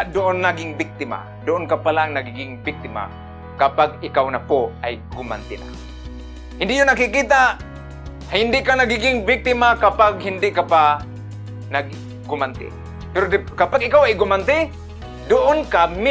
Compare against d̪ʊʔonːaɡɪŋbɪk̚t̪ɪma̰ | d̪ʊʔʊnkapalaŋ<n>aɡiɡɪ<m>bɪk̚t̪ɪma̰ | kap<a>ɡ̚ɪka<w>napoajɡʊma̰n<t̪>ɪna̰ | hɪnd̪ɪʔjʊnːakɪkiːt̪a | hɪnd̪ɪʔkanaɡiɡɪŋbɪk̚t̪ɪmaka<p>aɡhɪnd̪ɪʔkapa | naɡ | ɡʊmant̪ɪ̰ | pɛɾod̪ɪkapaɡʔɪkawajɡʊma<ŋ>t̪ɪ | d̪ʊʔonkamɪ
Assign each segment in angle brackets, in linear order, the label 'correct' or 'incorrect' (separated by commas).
correct, incorrect, correct, correct, correct, correct, incorrect